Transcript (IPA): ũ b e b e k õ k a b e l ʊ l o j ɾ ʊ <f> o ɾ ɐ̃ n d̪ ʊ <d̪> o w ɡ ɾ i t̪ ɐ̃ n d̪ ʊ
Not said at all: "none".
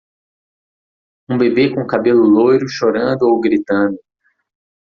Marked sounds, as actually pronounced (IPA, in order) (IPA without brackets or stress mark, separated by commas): ʃ, none